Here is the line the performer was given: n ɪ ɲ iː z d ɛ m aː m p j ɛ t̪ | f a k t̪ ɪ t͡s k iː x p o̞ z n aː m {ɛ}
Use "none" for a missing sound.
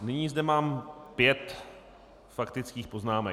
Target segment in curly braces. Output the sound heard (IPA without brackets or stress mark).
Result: ɛ